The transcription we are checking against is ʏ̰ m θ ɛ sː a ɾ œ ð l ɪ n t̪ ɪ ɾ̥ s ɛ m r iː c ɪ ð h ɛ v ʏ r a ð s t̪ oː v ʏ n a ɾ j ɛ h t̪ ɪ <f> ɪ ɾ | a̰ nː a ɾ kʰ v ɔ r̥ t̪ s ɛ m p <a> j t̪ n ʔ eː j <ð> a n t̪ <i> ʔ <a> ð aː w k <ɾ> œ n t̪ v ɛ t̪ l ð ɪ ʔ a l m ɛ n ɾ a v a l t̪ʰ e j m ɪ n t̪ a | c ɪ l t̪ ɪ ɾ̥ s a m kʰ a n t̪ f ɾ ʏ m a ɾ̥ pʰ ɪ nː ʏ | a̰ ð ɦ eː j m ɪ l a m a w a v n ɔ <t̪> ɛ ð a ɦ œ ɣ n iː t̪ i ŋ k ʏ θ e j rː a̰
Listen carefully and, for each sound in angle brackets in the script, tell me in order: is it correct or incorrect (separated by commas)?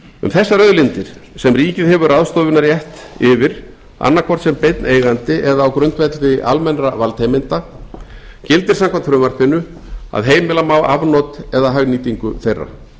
incorrect, incorrect, incorrect, incorrect, incorrect, correct, correct